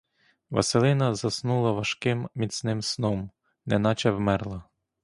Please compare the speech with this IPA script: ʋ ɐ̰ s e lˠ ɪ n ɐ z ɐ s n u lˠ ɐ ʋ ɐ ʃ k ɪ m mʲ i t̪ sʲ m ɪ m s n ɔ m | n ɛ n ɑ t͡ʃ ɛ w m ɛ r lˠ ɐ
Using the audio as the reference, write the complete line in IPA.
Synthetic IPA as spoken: ʋ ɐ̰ s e lˠ ɪ n ɐ z ɐ s n u lˠ ɐ ʋ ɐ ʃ k ɪ m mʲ i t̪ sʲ n ɪ m s n ɔ m | n ɛ n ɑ t͡ʃ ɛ w m ɛ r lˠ ɐ